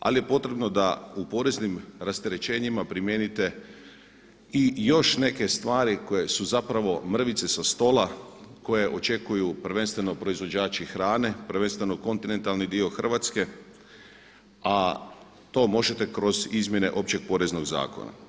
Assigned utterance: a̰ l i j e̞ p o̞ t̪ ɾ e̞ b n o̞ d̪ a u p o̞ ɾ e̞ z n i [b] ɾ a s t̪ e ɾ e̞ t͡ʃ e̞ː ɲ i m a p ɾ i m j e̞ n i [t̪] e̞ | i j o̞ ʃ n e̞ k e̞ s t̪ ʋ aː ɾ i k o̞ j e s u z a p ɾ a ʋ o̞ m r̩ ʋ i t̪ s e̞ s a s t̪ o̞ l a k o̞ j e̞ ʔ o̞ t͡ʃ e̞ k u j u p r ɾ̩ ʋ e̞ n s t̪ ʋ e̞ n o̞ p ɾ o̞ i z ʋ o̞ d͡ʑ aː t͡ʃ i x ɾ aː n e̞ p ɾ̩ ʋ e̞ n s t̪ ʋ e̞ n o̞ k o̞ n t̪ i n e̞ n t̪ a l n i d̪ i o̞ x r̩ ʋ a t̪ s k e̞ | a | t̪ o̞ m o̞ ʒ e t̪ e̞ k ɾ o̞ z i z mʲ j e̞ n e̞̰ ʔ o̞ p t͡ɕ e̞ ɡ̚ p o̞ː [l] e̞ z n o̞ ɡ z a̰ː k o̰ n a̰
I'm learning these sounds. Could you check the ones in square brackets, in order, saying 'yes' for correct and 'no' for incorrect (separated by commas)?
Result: no, yes, no